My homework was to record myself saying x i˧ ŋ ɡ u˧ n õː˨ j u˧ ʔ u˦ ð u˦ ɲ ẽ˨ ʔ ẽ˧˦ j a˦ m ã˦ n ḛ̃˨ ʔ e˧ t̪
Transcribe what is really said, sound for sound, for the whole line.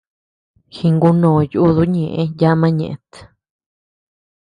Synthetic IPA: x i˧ ŋ ɡ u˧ n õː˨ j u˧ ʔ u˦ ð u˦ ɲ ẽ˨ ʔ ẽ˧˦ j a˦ m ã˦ ɲ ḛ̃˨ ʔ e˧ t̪